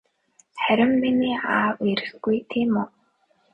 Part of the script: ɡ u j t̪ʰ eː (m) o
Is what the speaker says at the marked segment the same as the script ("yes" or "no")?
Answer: yes